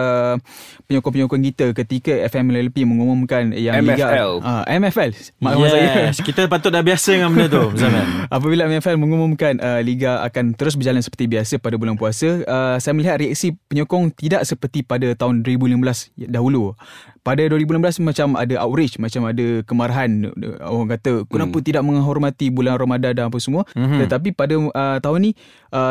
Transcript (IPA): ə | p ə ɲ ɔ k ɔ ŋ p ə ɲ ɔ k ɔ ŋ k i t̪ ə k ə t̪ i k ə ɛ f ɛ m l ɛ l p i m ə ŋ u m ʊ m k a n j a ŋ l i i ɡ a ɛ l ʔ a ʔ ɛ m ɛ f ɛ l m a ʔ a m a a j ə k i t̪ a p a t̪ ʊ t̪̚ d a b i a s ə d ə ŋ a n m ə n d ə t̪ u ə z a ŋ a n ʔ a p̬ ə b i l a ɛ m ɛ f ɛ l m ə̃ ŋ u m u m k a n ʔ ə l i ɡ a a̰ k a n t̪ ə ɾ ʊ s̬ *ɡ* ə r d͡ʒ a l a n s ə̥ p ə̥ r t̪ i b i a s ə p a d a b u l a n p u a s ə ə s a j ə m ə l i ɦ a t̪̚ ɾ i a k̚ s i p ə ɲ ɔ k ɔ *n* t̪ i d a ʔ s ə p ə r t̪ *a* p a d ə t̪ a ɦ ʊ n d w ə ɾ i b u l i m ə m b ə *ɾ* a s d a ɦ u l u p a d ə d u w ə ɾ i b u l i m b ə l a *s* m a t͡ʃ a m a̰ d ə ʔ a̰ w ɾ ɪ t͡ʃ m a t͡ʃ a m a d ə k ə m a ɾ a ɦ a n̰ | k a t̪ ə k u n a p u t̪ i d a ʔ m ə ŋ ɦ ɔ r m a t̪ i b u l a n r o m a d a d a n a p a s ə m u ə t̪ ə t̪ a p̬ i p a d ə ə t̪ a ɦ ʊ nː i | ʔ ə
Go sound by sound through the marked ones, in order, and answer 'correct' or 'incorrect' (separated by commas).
incorrect, incorrect, incorrect, incorrect, correct